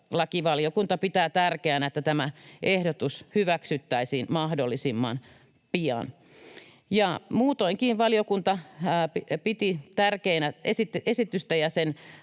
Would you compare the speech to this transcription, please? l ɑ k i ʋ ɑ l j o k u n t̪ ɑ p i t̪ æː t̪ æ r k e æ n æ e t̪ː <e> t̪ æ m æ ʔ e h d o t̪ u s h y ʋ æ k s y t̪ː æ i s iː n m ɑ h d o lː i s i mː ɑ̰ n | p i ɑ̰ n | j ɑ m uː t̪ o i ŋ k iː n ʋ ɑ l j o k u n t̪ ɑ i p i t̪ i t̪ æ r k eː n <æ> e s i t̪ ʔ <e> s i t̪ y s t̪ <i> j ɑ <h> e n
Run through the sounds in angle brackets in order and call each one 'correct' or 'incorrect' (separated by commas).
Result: incorrect, correct, correct, incorrect, incorrect